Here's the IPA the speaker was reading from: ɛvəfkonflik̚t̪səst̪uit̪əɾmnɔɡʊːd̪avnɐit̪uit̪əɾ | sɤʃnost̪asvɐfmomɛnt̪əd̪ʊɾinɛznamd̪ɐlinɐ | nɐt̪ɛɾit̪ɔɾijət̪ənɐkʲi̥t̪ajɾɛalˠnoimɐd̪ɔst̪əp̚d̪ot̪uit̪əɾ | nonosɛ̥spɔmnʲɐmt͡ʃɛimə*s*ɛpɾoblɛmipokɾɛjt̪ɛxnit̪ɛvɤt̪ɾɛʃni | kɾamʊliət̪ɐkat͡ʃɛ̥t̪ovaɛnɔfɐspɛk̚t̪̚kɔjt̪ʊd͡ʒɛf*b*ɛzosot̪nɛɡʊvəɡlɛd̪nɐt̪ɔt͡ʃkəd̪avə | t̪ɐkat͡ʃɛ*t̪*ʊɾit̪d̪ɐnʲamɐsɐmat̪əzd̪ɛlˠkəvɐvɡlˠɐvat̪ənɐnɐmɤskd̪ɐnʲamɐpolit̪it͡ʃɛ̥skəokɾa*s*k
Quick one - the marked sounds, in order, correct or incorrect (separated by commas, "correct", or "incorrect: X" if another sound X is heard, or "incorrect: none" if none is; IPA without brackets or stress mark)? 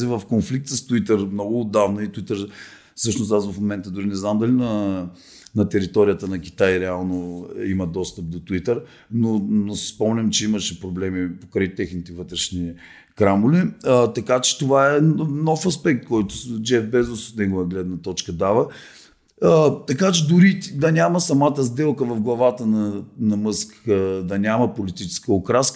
incorrect: ʃ, correct, incorrect: d̪, correct